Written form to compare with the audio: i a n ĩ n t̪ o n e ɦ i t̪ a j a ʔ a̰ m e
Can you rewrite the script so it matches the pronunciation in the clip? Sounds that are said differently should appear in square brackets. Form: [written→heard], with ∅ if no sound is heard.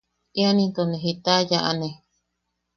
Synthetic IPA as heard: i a n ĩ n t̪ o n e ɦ i t̪ a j a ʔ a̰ [m→n] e